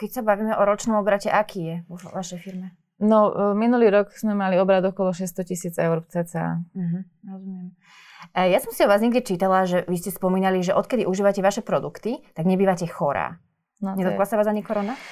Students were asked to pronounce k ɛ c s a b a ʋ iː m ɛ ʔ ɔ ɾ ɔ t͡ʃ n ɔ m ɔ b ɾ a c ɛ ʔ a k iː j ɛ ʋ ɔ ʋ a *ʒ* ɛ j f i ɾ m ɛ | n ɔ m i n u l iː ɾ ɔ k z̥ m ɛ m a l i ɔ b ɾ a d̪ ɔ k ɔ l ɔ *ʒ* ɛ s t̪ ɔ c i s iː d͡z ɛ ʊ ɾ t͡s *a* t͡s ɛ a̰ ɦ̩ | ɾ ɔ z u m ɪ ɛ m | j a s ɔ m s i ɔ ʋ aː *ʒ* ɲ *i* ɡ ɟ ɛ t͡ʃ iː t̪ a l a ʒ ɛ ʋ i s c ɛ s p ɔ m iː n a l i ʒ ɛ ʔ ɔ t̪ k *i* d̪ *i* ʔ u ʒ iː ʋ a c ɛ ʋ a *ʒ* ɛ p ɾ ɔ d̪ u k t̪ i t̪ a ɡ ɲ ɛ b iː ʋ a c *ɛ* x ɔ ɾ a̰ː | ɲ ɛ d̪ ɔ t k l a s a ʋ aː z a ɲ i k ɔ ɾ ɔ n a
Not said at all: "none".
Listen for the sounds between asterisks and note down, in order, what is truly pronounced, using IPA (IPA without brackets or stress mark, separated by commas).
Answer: ʃ, ʃ, ɛ, z, ɛ, ɛ, i, ʃ, ɛ